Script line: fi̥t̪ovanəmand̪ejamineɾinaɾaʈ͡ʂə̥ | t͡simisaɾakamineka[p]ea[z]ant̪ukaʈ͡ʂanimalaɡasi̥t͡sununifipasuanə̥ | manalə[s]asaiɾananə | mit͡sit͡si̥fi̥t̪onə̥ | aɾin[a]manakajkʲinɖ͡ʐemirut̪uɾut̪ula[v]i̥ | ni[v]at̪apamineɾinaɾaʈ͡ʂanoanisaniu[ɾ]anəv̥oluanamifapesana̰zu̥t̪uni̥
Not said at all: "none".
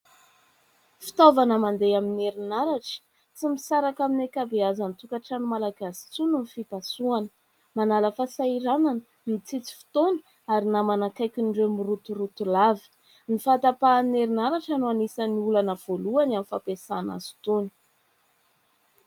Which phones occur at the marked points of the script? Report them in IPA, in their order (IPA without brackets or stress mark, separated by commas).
b, z, f, a, v, f, l